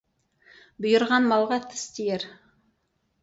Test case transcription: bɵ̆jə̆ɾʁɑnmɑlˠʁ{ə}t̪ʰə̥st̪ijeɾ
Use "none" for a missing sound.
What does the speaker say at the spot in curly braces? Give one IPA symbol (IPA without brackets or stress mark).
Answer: ɑ